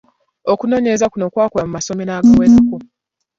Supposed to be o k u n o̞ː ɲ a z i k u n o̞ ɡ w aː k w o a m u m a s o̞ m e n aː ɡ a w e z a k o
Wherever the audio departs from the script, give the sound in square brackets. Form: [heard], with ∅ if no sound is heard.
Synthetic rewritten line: o k u n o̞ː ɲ [e] z [a] k u n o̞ [k] w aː k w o a m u m a s o̞ m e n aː ɡ a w e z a k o